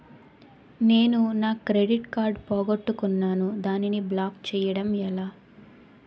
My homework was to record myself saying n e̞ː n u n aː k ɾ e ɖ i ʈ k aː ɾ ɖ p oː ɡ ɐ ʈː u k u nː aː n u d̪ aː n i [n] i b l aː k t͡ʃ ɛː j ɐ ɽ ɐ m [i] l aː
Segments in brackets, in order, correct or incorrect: correct, incorrect

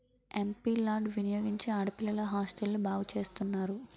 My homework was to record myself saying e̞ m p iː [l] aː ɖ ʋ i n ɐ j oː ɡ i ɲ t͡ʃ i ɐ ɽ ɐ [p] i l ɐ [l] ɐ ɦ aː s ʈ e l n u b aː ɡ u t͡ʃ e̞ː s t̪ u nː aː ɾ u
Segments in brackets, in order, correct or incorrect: correct, correct, correct

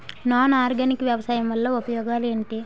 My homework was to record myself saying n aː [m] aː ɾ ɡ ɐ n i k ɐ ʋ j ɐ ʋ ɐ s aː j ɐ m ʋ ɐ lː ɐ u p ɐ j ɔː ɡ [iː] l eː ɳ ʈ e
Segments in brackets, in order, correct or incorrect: incorrect, incorrect

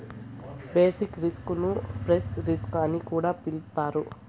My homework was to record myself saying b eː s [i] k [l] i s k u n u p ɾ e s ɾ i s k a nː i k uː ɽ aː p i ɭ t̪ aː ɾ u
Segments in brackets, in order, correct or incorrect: correct, incorrect

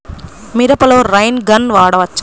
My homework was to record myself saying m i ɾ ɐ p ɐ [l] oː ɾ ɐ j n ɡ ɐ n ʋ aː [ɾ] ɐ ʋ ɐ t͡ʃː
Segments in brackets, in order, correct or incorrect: correct, incorrect

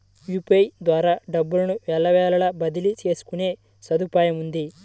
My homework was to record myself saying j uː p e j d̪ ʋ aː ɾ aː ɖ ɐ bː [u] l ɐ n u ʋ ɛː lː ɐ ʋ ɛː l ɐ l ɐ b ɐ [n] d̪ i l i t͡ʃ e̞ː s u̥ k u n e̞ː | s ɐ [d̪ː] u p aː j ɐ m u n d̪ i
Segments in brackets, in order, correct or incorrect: correct, incorrect, incorrect

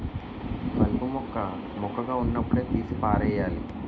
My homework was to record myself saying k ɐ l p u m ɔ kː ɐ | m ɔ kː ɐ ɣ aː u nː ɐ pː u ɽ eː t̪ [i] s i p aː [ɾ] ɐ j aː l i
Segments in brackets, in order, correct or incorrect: incorrect, correct

